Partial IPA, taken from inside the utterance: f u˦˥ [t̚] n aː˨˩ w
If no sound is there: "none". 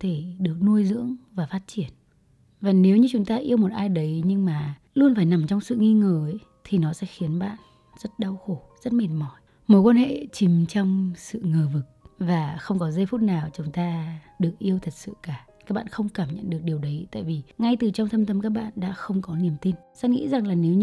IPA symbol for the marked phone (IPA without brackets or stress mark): t̚